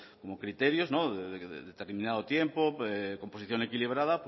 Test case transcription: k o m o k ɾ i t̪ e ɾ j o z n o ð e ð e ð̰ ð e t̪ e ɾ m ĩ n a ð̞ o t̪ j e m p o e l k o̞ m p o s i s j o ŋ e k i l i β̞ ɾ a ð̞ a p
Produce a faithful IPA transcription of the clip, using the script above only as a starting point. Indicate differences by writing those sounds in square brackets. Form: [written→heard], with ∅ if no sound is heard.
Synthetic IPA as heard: k o m o k ɾ i t̪ e ɾ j o z n o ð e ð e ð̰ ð e t̪ e ɾ m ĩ n a ð̞ o t̪ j e m p o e [l→∅] k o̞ m p o s i [s→θ] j o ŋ e k i l i β̞ ɾ a ð̞ a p